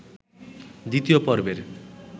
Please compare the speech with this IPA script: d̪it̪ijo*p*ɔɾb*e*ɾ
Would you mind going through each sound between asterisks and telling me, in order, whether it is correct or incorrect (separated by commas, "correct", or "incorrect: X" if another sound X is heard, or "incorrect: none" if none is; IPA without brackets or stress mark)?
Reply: correct, correct